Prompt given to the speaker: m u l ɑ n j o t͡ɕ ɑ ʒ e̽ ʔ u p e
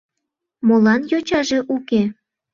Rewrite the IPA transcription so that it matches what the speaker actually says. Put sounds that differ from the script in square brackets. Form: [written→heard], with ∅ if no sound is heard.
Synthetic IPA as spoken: m [u→o] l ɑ n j o t͡ɕ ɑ ʒ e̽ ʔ u [p→k] e